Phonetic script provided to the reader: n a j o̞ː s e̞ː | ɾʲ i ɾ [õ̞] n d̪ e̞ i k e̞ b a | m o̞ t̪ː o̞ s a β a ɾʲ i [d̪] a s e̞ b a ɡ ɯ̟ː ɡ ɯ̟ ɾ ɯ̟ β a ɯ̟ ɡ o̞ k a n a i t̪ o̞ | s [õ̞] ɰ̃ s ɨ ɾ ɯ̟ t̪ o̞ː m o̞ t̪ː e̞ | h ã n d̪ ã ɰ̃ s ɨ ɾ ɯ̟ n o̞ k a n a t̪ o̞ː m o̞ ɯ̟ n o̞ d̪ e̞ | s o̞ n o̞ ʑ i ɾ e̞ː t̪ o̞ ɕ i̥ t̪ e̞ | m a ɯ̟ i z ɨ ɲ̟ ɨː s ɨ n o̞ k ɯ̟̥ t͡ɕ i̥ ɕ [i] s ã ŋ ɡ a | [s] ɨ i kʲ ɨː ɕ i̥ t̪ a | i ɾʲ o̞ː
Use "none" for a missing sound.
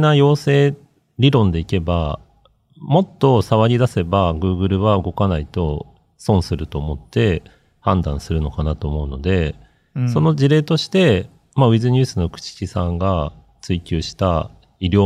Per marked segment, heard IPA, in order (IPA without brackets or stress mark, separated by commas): õ̞, d̪, õ̞, i, t͡s